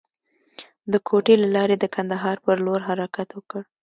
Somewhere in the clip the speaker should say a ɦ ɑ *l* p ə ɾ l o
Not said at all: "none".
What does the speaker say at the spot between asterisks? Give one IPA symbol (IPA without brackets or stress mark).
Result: ɾ